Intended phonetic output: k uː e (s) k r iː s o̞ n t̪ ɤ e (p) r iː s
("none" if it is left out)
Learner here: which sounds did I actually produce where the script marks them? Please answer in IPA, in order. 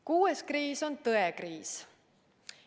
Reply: s, k

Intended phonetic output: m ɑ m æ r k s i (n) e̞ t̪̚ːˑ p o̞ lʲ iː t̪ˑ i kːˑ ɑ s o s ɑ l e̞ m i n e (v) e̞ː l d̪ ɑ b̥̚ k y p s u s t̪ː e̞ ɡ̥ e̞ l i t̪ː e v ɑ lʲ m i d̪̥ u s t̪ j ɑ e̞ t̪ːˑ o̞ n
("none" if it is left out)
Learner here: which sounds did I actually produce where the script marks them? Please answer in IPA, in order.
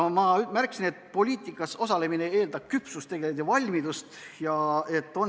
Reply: n, none

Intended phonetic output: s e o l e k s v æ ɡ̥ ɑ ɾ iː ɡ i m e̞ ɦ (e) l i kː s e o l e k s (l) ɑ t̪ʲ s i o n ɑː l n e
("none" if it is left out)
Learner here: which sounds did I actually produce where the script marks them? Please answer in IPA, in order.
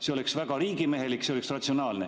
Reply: e, r

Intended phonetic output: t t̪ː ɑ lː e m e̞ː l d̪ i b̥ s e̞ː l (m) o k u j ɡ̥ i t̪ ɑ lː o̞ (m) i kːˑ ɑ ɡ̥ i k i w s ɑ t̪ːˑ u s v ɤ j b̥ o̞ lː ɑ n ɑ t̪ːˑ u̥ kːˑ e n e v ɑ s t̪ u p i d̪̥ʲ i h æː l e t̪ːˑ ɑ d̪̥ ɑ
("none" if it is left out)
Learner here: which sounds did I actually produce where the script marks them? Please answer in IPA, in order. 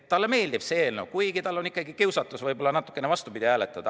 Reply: n, n

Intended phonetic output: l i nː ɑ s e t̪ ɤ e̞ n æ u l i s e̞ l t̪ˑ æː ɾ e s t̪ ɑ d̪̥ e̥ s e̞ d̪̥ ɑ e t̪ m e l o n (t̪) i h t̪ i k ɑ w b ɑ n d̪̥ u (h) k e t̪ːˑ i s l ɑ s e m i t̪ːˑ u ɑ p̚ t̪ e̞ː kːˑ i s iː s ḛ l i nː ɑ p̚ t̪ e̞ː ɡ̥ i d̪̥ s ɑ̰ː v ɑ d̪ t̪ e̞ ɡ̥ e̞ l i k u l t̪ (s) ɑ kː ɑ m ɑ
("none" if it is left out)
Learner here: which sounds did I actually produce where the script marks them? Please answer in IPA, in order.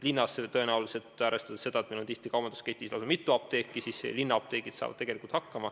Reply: t̪, s, h

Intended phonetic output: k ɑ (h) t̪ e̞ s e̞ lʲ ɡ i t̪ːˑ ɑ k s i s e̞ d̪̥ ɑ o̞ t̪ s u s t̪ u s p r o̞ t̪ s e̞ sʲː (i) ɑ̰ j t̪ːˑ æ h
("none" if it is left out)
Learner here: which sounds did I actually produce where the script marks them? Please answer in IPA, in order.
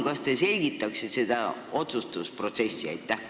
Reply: s, i

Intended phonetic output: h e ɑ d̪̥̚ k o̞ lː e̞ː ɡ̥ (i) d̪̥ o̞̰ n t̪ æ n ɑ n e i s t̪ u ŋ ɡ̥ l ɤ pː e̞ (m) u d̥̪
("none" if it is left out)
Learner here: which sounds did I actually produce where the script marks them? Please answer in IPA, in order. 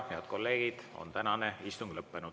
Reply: i, n

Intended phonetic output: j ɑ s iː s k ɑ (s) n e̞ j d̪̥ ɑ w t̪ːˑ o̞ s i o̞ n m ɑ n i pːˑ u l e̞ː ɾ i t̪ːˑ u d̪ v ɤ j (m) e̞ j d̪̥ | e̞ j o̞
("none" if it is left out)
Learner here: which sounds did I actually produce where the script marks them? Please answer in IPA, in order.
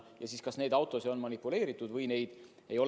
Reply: s, n

